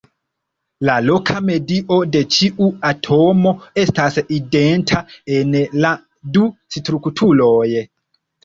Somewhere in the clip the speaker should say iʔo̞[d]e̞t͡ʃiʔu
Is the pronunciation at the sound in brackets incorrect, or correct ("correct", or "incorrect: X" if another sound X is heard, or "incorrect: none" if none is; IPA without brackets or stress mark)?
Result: correct